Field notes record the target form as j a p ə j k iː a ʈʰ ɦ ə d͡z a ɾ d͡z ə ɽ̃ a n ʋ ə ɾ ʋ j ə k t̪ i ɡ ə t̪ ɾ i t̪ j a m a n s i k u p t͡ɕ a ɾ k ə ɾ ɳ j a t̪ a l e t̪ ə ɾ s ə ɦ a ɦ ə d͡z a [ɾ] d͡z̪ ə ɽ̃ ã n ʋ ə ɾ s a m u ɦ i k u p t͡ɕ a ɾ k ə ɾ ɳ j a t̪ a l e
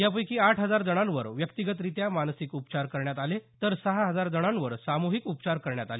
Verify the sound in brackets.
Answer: correct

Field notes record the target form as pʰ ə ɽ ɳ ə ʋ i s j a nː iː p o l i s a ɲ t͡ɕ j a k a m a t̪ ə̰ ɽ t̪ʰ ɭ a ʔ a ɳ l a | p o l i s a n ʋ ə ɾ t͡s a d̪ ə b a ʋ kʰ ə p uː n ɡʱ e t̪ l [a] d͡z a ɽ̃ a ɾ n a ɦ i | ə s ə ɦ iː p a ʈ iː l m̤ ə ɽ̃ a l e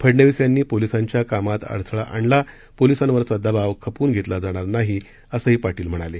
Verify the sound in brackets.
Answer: correct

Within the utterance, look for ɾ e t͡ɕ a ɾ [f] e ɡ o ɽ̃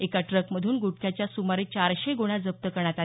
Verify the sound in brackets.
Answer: incorrect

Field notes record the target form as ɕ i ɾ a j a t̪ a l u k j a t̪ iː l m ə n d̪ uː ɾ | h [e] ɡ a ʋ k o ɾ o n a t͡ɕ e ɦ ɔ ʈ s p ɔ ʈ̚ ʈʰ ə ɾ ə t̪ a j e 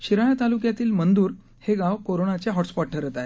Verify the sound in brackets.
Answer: correct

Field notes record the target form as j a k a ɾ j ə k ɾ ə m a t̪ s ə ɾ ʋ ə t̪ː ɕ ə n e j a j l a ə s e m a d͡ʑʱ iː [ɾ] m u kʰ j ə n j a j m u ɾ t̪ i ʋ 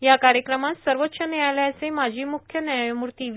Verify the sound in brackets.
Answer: incorrect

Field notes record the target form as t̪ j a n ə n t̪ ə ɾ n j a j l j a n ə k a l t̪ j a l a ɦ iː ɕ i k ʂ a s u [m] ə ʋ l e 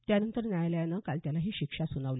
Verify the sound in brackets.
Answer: incorrect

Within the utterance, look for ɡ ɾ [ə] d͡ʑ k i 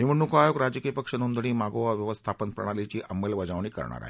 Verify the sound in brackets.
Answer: incorrect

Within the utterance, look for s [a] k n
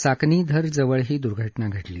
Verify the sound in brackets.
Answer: correct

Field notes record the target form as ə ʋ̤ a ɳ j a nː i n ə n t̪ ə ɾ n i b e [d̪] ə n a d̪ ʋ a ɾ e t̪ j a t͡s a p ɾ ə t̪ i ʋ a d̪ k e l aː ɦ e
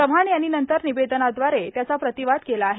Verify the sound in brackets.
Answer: correct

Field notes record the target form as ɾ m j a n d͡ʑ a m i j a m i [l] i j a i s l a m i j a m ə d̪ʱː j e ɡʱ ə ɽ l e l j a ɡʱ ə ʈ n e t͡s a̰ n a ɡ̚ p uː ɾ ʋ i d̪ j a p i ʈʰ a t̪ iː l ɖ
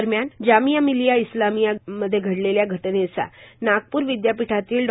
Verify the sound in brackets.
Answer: correct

